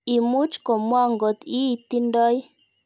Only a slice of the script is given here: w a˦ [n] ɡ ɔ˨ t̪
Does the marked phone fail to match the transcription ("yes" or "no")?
yes